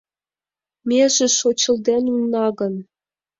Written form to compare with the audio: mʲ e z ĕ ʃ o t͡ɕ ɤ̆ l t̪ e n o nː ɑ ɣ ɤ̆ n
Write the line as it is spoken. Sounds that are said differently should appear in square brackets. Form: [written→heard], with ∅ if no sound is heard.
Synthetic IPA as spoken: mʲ e [z→ʒ] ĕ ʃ o t͡ɕ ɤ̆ l [t̪→d̪] e n [o→u] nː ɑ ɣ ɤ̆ n

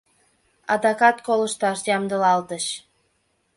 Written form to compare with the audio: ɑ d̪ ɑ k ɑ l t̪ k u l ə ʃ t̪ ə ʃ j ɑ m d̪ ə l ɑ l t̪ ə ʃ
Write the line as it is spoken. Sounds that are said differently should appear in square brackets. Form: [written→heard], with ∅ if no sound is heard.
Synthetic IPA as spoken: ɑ d̪ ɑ k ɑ [l→∅] t̪ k [u→o] l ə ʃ t̪ [ə→ɑ] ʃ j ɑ m d̪ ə l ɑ l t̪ ə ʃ

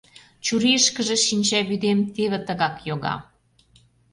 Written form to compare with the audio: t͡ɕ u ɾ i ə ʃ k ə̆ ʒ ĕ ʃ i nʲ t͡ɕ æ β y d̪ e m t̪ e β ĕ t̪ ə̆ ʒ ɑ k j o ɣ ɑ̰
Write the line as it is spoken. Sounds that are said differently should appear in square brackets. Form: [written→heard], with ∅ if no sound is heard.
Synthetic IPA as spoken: t͡ɕ u ɾ i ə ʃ k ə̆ ʒ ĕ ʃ i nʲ t͡ɕ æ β y d̪ e m t̪ e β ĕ t̪ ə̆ [ʒ→ɣ] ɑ k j o ɣ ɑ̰

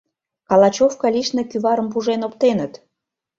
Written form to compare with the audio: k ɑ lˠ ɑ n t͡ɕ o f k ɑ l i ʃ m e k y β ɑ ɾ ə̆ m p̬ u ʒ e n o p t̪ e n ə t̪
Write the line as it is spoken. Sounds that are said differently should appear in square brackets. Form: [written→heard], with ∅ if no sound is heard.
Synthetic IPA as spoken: k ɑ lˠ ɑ [n→∅] t͡ɕ o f k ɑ l i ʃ [m→n] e k y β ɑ ɾ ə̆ m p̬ u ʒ e n o p t̪ e n ə t̪

